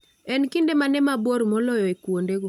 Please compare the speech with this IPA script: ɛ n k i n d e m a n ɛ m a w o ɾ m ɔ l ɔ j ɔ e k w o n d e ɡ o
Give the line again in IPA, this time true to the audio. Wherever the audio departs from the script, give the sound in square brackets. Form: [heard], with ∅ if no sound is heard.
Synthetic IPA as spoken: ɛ n k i n d e m a n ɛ m a [b] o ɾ m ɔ l ɔ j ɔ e k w o n d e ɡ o